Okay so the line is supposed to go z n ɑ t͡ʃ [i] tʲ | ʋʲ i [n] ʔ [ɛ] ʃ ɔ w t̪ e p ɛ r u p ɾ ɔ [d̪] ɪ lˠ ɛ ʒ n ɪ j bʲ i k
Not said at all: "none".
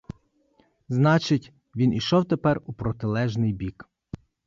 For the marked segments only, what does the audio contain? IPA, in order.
ɪ, n, i, t̪

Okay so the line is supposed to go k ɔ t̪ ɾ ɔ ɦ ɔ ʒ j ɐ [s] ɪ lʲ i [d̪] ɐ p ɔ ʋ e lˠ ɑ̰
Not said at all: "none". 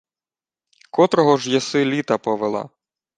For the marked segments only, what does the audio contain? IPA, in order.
s, t̪

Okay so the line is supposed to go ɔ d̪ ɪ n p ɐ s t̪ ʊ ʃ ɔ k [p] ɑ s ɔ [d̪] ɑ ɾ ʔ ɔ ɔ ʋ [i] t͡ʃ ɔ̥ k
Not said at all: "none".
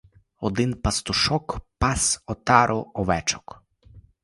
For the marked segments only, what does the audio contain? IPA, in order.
p, t̪, ɛ

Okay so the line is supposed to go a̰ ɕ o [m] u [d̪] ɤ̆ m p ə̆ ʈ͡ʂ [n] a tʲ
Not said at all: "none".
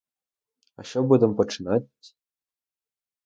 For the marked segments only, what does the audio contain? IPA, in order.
b, d̪, n

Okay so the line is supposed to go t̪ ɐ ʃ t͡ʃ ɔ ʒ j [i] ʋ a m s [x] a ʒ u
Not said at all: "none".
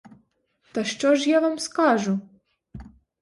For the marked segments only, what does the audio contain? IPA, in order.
a, k

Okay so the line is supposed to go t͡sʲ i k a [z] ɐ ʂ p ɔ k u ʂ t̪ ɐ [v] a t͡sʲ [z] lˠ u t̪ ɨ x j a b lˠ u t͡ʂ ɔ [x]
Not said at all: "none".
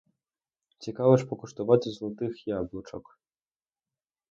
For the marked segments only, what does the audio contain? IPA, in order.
v, v, z, k

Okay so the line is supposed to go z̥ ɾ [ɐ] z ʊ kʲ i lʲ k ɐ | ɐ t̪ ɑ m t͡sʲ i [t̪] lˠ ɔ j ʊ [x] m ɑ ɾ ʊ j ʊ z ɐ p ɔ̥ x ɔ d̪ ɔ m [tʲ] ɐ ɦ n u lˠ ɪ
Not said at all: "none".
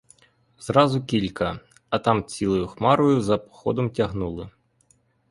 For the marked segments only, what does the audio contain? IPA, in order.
ɑ, none, x, tʲ

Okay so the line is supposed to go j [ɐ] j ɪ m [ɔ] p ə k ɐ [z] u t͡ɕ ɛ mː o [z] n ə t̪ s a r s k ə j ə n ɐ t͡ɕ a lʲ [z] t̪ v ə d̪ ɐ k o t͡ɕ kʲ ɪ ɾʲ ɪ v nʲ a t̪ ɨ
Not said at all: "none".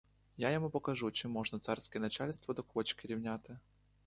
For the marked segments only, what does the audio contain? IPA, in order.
a, u, ʐ, ʐ, s

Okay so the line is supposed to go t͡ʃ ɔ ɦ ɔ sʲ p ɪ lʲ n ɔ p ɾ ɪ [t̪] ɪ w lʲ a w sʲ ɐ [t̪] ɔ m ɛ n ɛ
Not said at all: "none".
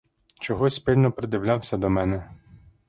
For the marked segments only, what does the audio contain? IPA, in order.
d̪, d̪

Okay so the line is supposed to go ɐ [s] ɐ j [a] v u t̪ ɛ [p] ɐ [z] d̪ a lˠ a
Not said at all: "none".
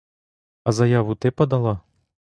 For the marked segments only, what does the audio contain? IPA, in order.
z, a, p, none

